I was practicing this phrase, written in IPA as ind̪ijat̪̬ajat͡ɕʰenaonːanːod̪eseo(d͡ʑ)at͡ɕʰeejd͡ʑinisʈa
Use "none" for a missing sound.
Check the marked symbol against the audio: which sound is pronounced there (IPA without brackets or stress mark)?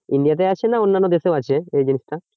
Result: none